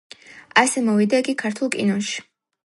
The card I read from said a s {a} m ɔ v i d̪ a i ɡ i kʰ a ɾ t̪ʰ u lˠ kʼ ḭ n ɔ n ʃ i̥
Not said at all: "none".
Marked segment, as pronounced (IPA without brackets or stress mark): ɛ